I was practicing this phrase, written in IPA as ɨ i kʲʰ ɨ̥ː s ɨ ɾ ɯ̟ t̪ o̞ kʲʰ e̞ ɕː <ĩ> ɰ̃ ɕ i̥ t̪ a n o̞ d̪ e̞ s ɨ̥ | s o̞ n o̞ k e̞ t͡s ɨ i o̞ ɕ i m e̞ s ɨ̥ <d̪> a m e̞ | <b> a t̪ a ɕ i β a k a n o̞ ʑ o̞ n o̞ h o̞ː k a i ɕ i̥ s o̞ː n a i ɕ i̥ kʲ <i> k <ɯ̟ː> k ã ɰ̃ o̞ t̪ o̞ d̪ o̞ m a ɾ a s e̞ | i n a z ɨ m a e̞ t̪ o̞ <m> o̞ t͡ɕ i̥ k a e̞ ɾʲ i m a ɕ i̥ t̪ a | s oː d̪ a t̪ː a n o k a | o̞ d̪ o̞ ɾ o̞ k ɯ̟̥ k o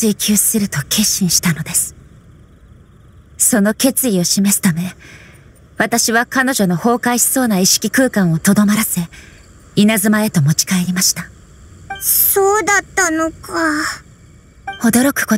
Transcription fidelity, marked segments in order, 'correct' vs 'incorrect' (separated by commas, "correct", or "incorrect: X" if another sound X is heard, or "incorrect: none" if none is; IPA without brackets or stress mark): correct, incorrect: t̪, incorrect: β, correct, correct, correct